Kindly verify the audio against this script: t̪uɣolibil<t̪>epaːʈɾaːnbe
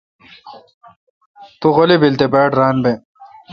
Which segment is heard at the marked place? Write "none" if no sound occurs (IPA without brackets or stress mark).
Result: t̪